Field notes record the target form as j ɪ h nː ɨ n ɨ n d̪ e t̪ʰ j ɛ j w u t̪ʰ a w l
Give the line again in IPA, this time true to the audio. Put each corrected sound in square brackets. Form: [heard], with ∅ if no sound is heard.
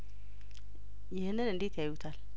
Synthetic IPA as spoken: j ɪ h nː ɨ n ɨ n d̪ e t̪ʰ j [a] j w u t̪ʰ a [∅] l

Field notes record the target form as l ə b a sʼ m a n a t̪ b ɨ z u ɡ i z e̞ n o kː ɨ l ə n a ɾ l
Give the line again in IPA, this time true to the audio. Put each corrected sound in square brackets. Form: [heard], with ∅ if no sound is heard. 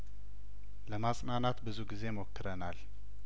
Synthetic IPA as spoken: l ə [m] a sʼ [n] a n a t̪ b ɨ z u ɡ i z e̞ [m] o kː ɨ [ɾ] ə n a [∅] l

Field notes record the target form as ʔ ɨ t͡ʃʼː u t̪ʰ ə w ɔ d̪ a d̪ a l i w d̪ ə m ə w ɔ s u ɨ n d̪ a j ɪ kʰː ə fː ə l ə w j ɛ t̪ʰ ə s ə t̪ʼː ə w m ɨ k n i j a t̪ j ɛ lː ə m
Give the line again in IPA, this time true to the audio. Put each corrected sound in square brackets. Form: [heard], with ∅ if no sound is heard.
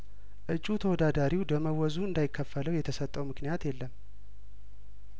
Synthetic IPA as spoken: ʔ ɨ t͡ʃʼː u t̪ʰ ə w ɔ d̪ a d̪ a [ɾ] i w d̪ ə m ə w ɔ [z] u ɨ n d̪ a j ɪ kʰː ə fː ə l ə w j ɛ t̪ʰ ə s ə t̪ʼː ə w m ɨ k n i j a t̪ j ɛ lː ə m

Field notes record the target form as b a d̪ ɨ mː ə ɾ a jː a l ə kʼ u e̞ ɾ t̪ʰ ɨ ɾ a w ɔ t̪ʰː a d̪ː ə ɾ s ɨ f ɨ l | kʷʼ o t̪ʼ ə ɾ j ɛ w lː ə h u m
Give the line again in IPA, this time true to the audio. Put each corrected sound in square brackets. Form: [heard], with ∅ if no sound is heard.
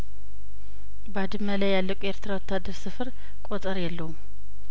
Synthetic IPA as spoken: b a d̪ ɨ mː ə [l] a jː a [lː] ə kʼ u e̞ ɾ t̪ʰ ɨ ɾ a w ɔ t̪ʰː a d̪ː ə ɾ s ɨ f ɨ [ɾ] | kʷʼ o t̪ʼ ə ɾ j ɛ [∅] lː ə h u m

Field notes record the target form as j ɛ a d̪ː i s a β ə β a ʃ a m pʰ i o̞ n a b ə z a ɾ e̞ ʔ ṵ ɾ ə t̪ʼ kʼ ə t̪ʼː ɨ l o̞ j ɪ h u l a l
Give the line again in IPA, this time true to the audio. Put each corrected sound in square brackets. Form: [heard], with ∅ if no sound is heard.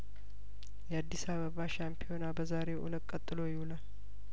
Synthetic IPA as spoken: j ɛ a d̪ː i s a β ə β a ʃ a m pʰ i o̞ n a b ə z a ɾ e̞ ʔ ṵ [l] ə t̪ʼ kʼ ə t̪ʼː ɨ l o̞ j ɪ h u l a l

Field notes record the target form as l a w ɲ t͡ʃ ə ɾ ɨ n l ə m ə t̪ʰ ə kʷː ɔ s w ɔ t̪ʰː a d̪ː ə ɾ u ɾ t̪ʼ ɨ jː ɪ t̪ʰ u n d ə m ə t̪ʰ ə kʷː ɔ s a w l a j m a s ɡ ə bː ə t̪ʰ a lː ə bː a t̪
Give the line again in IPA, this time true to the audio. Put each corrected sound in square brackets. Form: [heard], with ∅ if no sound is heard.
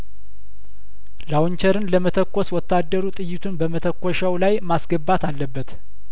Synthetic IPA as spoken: l a w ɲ t͡ʃ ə ɾ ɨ n l ə m ə t̪ʰ ə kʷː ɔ s w ɔ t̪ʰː a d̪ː ə ɾ u [∅] t̪ʼ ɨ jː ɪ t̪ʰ u n [b] ə m ə t̪ʰ ə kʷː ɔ [ʃ] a w l a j m a s ɡ ə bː [a] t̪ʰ a lː ə bː [ə] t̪

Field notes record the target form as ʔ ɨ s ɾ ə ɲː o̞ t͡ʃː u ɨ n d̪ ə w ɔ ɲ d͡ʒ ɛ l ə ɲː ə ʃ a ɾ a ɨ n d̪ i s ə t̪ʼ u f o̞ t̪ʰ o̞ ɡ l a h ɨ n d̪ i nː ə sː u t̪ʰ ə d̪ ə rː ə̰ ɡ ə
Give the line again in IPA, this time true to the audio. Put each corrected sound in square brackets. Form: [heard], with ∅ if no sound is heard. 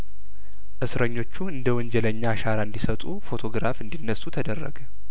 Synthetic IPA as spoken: ʔ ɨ s ɾ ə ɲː o̞ t͡ʃː u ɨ n d̪ ə w ɔ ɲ d͡ʒ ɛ l ə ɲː [a] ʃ a ɾ a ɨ n d̪ i s ə t̪ʼ u f o̞ t̪ʰ o̞ ɡ [ɾ] a [f] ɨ n d̪ i nː ə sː u t̪ʰ ə d̪ ə rː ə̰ ɡ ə

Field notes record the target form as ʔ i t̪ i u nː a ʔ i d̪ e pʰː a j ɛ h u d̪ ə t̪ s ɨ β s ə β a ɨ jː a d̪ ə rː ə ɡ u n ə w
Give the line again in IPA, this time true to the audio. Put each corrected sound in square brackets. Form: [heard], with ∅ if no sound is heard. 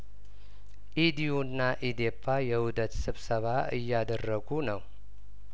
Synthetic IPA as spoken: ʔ i [d̪] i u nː a ʔ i d̪ e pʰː a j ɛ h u d̪ ə t̪ s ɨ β s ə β a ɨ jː a d̪ ə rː ə ɡ u n ə w

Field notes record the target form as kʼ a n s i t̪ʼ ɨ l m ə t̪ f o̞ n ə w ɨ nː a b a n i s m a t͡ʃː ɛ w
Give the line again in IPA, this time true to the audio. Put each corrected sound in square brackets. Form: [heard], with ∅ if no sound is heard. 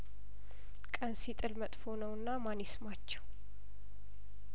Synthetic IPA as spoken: kʼ [ə] n s i t̪ʼ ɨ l m ə [t̪ʼ] f o̞ n ə w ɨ nː a [m] a n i s m a t͡ʃː ɛ w

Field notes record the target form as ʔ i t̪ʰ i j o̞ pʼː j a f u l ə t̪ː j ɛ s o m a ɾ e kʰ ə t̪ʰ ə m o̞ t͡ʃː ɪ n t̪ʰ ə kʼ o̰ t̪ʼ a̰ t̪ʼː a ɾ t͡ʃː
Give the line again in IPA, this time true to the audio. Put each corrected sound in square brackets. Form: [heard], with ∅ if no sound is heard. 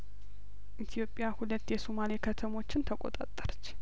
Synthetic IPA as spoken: ʔ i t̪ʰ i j o̞ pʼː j a [h] u l ə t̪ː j ɛ s o m a [l] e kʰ ə t̪ʰ ə m o̞ t͡ʃː ɪ n t̪ʰ ə kʼ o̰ t̪ʼ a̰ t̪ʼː [ə] ɾ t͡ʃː

